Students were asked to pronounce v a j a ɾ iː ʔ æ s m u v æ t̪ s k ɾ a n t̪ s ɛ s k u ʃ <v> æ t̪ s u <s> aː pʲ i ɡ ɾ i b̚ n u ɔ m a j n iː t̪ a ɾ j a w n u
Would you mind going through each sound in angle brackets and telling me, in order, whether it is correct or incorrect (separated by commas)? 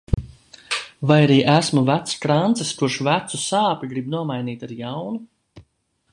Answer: correct, correct